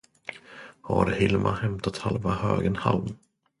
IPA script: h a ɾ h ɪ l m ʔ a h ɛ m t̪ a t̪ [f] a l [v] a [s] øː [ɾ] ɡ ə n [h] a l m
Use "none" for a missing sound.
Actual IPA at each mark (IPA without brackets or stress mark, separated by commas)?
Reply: h, v, h, none, h